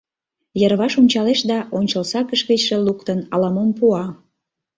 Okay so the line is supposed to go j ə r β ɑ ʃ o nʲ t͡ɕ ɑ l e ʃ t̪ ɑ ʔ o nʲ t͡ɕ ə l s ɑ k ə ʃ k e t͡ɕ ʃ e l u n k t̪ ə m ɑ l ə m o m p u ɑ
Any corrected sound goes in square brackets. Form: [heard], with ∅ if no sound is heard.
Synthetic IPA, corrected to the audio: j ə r β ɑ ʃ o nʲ t͡ɕ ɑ l e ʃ [d̪] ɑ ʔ o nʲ t͡ɕ ə l s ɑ k ə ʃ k e t͡ɕ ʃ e l u [∅] k t̪ ə [n] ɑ l [ɑ] m o m p u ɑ